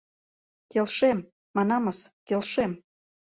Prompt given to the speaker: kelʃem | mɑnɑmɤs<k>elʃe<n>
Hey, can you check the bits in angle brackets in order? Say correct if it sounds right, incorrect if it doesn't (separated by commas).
correct, incorrect